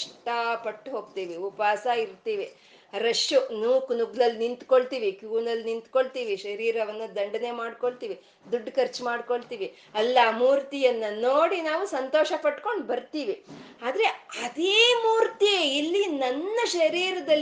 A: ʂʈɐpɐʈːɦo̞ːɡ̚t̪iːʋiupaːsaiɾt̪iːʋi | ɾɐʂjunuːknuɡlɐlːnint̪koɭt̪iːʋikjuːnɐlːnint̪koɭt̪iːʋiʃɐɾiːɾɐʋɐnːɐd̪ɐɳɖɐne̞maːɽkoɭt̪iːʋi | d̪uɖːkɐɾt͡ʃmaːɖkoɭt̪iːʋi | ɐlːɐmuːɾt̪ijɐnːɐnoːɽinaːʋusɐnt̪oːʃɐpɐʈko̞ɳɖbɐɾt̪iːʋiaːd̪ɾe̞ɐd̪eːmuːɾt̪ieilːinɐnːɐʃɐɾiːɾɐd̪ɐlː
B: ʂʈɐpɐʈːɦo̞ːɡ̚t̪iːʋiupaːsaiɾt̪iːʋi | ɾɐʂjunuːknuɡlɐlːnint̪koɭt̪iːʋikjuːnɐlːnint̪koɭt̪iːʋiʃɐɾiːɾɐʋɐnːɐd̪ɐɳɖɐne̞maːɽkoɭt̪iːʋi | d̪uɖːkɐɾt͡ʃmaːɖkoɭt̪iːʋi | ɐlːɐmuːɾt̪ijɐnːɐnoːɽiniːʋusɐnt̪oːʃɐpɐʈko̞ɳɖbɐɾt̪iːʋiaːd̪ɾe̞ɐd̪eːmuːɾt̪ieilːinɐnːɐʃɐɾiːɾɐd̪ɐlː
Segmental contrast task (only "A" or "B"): A